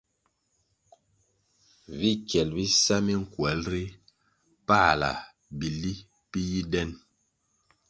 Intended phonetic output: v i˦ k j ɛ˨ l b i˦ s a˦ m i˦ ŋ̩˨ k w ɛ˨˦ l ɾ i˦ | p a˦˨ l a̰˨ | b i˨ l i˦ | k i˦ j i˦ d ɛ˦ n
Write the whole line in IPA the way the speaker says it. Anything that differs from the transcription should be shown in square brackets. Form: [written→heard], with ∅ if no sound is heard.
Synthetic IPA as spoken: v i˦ k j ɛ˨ l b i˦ s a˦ m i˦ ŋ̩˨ k w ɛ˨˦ l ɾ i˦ | p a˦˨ l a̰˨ | b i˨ l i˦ | [k→p] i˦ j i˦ d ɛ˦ n